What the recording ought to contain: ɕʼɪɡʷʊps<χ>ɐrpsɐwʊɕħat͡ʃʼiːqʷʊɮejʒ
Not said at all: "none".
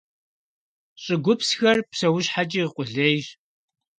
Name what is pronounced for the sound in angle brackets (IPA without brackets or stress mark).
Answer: x